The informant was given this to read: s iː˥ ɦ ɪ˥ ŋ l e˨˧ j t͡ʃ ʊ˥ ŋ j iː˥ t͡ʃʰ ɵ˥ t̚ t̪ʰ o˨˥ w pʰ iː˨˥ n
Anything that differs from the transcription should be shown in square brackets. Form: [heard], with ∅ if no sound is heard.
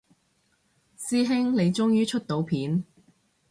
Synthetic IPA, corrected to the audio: s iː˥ ɦ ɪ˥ ŋ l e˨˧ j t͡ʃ ʊ˥ ŋ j [yː˥] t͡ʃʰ ɵ˥ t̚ [t̪] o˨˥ w pʰ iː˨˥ n